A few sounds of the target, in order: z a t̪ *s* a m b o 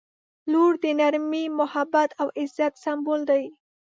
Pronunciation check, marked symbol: correct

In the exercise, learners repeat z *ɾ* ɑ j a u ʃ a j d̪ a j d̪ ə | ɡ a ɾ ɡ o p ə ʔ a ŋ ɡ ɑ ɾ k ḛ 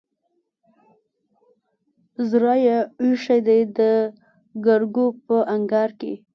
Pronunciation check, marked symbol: correct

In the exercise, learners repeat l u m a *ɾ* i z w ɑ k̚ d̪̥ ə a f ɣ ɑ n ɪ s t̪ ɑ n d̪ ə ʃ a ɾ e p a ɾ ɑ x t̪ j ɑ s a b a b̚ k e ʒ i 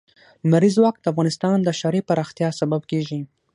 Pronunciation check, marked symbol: correct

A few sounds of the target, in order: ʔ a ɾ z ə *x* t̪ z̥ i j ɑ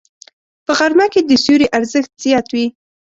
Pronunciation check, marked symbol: correct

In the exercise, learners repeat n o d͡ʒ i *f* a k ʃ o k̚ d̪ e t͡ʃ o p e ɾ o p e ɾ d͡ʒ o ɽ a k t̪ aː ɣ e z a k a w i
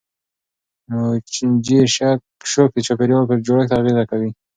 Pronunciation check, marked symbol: incorrect: ʃ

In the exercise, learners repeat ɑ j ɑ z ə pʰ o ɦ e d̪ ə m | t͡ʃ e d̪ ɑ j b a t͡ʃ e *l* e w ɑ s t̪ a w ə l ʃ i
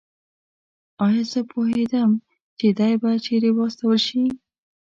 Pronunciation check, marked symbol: incorrect: ɾ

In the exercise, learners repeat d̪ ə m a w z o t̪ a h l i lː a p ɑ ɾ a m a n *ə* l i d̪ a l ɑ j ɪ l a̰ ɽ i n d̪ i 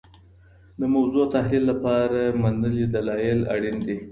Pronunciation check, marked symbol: correct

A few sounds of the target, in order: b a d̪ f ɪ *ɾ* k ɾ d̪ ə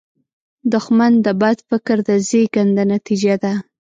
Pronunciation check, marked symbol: incorrect: none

